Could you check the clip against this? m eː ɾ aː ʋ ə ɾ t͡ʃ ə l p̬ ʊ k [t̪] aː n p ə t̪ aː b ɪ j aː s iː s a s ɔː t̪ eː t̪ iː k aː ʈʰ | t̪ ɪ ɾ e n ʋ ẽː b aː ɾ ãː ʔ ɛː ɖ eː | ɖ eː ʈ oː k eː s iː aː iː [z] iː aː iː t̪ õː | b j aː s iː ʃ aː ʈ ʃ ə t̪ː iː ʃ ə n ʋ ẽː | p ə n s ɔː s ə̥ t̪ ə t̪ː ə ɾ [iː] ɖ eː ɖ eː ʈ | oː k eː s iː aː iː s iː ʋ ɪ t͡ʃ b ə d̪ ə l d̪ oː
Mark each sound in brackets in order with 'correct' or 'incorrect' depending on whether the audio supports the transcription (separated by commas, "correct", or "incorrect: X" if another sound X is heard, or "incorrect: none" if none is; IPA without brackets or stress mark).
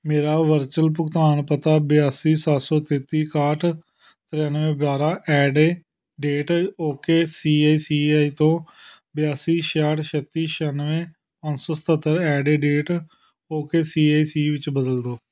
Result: correct, incorrect: s, incorrect: ɛː